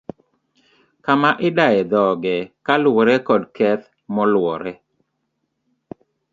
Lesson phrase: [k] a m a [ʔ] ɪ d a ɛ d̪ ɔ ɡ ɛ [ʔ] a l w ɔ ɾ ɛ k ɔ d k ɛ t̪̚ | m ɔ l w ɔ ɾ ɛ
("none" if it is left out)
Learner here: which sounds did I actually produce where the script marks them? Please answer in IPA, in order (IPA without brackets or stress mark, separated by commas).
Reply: k, ʔ, k